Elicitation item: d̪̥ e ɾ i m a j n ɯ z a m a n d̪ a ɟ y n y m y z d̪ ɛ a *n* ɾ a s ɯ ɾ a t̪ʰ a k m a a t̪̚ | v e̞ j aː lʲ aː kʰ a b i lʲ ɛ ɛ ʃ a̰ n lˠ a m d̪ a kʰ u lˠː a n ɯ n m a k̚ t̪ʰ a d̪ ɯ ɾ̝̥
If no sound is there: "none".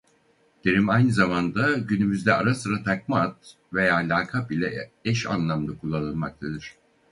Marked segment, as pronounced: none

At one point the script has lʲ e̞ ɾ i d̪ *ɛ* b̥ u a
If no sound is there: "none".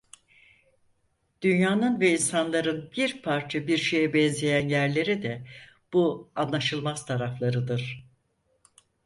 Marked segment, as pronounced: ɛ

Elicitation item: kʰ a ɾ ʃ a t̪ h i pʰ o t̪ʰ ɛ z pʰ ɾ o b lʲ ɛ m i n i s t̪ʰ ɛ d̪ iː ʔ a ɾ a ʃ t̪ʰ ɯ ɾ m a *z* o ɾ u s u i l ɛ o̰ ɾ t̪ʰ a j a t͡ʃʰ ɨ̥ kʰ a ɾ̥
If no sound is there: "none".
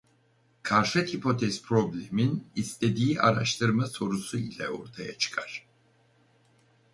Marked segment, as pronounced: s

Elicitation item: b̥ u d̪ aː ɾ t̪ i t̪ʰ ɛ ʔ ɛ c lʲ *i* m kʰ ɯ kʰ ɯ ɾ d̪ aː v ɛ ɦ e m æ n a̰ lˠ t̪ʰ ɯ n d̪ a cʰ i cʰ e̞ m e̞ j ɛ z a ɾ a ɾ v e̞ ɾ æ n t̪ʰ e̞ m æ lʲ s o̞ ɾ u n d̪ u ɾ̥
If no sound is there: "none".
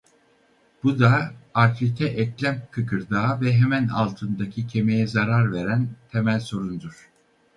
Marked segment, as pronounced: æ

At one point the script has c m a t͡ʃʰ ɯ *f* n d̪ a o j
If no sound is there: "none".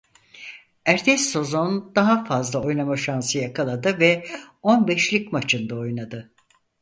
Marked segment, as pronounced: none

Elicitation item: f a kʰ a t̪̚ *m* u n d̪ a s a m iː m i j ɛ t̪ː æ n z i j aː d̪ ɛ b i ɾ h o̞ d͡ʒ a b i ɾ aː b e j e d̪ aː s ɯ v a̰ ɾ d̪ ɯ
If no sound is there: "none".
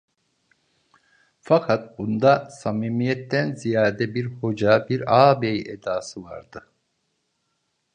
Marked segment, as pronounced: b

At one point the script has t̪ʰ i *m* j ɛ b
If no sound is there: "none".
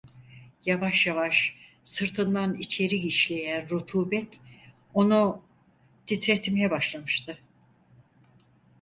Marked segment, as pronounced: m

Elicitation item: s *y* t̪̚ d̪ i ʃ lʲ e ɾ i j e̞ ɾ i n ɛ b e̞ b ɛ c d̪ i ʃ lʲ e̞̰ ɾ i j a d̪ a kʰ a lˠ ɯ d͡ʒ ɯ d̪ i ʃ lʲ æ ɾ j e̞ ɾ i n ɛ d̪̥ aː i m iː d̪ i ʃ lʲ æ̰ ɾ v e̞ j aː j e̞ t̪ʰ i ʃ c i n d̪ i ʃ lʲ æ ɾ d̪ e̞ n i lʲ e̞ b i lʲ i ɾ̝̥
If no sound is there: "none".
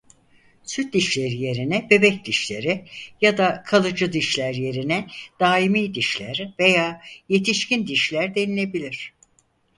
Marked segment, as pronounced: y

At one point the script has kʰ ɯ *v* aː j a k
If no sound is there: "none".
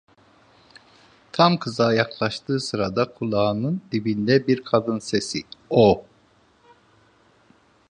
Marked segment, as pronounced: z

